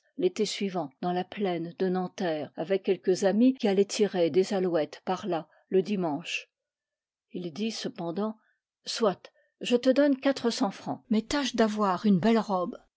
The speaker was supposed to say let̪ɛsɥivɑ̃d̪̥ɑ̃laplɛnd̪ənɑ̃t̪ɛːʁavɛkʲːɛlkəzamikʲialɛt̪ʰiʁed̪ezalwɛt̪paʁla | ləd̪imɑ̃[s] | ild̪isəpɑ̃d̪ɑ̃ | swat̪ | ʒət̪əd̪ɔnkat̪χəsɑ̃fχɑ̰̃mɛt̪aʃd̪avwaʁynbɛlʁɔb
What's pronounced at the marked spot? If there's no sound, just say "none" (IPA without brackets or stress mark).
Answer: ʃ